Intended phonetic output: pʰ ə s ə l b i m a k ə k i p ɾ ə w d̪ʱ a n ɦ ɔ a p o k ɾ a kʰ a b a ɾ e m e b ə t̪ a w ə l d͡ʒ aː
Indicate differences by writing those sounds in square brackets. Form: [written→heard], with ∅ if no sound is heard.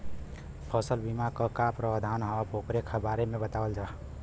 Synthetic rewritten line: pʰ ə s ə l b i m a k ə k [i→a] p ɾ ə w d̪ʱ a n ɦ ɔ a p o k ɾ [a→e] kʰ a b a ɾ e m e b ə t̪ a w ə l d͡ʒ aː